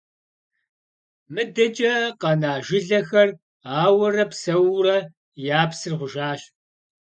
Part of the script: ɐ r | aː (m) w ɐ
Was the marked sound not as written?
yes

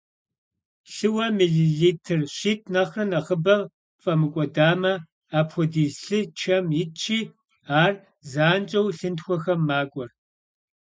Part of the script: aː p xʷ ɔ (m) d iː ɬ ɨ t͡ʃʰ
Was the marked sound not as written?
yes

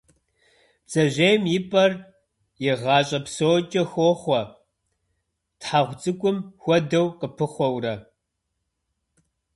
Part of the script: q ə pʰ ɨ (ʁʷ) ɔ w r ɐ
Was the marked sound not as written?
yes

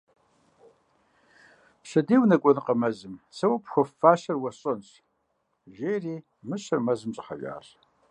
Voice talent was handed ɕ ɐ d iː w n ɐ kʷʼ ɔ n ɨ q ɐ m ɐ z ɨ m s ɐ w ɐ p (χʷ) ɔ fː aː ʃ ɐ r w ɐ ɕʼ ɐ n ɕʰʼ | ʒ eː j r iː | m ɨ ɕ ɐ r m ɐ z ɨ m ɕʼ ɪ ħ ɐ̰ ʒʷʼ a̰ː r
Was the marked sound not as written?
yes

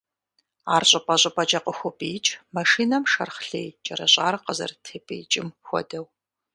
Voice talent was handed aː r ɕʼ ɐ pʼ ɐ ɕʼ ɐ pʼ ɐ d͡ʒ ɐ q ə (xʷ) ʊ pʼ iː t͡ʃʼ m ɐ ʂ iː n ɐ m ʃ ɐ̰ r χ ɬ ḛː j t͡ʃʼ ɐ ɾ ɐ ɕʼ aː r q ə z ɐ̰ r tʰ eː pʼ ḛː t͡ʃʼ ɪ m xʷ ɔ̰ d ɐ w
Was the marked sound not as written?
no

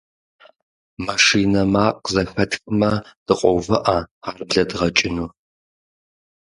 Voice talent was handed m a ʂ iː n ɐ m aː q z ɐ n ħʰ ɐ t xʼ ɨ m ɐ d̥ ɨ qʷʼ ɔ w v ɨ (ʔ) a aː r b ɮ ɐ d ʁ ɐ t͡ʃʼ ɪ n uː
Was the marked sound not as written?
no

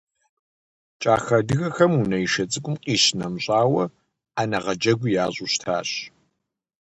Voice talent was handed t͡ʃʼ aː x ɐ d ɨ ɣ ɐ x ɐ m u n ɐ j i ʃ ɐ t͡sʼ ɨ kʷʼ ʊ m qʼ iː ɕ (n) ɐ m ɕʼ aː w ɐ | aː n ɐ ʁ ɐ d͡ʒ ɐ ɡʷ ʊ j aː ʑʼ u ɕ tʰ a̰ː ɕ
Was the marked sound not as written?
no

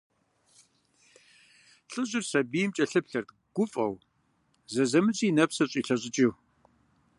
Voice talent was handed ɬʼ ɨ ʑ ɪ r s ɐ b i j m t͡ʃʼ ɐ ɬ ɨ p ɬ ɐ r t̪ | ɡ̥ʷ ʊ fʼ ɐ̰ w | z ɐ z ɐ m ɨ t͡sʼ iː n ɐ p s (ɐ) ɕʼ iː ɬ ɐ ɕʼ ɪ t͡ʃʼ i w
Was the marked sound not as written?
no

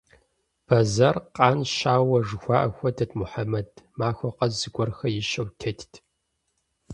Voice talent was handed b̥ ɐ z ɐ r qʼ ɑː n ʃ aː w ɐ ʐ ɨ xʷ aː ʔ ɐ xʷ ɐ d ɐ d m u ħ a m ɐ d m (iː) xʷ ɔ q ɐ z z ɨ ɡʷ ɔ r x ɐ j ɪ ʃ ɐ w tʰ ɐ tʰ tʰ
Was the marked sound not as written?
yes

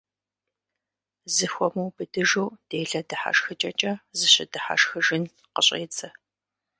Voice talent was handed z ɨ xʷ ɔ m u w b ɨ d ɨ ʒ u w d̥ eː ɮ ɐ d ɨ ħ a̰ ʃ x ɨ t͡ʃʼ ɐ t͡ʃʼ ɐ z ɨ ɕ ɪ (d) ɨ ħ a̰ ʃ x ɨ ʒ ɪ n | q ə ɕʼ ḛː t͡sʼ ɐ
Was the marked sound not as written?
no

